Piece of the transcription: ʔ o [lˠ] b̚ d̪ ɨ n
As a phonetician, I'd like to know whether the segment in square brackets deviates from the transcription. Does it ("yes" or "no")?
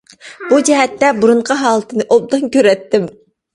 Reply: yes